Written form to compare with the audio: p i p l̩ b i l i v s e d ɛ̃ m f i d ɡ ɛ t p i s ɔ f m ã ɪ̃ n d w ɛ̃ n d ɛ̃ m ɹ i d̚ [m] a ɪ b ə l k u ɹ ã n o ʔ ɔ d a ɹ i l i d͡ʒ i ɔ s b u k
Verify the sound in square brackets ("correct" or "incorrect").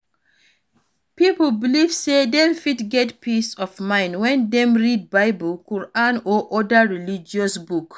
incorrect